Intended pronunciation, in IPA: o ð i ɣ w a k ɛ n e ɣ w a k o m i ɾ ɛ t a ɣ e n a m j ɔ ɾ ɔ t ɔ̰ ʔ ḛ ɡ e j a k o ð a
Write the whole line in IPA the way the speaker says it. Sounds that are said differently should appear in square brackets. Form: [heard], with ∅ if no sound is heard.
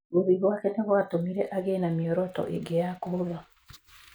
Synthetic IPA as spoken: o ð i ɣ w a k ɛ n e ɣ w a [t] o m i ɾ ɛ [ʔ] a ɣ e n a m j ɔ ɾ ɔ t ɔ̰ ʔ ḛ ɡ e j a k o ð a

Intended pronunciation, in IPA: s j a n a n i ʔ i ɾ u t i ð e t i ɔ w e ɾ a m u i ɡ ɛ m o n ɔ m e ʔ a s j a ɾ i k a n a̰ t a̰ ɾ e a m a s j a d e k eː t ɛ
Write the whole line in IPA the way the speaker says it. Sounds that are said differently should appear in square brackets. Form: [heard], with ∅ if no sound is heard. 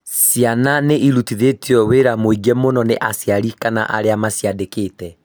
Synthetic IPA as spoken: s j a n a n [e] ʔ i ɾ u t i ð e t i ɔ w e ɾ a m [o] i ɡ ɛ m o n ɔ [n] e ʔ a s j a ɾ i k a n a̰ [ʔ] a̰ ɾ e a m a s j a d e k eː t ɛ

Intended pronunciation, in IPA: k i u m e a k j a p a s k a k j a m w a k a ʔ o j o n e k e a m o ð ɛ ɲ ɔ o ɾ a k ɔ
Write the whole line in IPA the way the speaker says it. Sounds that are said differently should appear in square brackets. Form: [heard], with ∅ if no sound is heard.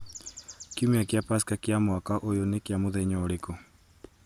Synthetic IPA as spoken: k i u m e a k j a p a s k a k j a m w a k a ʔ o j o n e k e a m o ð ɛ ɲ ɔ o ɾ [e] k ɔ

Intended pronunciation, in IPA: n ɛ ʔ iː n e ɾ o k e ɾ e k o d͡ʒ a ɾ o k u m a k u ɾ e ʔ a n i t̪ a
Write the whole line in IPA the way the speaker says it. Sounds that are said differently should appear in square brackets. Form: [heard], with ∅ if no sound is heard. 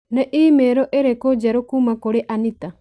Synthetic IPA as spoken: n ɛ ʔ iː [m] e ɾ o [ʔ] e ɾ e k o d͡ʒ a ɾ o k u m a k [o] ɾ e ʔ a n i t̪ a

